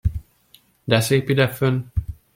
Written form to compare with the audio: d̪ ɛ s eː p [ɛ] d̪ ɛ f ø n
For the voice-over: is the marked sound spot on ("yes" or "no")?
no